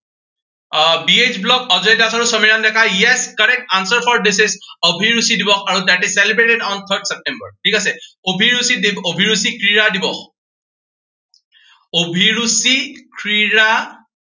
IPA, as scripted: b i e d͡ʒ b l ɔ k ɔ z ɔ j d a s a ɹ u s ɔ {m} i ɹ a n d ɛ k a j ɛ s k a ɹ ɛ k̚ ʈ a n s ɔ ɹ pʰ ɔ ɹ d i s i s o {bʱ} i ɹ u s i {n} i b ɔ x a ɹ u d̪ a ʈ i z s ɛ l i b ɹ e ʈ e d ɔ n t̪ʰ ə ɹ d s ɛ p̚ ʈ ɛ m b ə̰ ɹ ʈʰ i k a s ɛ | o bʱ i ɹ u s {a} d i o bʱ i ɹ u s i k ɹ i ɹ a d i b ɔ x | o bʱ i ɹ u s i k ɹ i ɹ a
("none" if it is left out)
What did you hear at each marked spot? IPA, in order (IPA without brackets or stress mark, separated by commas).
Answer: m, bʱ, d, i